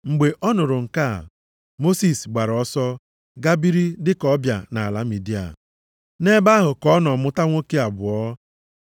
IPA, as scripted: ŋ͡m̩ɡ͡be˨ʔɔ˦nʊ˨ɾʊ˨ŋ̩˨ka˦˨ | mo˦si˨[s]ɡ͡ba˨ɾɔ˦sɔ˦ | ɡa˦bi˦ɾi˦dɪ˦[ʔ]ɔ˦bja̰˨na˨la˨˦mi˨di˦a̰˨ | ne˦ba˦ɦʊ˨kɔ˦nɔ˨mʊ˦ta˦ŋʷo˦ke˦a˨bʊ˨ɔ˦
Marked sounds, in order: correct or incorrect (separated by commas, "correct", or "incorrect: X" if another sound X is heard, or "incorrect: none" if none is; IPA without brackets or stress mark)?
correct, incorrect: k